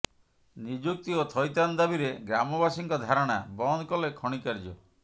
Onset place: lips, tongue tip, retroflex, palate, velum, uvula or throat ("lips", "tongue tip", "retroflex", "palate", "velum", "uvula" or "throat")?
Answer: tongue tip